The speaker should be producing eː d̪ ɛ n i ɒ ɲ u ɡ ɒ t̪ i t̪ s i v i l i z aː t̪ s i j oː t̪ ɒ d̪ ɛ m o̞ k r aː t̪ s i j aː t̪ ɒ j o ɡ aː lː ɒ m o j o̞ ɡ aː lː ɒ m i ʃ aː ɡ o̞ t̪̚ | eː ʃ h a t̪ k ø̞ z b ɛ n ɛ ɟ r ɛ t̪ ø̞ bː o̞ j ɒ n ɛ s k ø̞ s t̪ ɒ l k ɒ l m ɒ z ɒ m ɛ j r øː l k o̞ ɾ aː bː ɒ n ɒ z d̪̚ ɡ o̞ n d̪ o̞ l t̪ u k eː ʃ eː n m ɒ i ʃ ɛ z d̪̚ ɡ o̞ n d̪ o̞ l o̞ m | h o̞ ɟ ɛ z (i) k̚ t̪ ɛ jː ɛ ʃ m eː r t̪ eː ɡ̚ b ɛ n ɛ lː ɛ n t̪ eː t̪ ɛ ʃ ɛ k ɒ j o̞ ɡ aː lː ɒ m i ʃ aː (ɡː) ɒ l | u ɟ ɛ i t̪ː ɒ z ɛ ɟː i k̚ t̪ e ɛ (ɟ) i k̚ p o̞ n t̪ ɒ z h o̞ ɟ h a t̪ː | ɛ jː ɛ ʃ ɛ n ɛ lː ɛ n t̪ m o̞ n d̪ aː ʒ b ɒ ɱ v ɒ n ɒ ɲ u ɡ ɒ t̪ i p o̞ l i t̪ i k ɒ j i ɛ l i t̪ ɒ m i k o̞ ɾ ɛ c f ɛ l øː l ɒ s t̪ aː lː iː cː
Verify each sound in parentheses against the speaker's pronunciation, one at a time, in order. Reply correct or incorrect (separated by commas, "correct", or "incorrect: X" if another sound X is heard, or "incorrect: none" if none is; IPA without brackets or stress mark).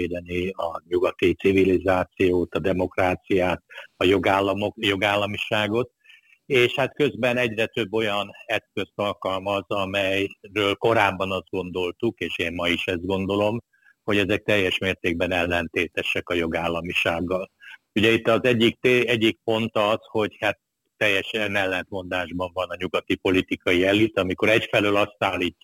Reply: incorrect: ɛ, correct, incorrect: ɟː